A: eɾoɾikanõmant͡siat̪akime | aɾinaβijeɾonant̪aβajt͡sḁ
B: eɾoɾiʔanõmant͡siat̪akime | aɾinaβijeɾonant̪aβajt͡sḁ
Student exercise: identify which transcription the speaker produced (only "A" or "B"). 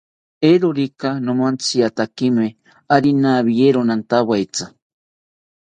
A